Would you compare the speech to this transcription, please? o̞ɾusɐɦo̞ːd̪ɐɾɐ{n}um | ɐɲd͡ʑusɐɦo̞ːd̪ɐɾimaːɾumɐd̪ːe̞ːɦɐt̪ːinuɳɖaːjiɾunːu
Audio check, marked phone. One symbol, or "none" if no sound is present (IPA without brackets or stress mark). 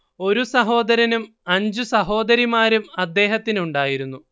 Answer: n